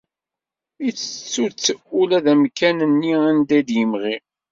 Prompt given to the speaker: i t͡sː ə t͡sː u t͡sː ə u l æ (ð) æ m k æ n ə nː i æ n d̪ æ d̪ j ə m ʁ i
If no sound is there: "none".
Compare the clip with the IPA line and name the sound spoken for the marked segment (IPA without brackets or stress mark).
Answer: ð